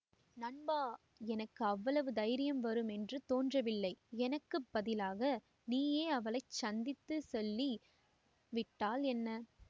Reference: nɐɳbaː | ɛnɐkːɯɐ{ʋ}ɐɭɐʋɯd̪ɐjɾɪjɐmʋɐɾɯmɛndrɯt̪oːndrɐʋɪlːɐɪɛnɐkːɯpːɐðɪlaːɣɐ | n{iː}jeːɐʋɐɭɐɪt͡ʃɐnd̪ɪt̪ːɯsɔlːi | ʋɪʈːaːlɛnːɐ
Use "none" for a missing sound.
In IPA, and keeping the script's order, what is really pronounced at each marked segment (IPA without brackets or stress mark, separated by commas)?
ʋː, iː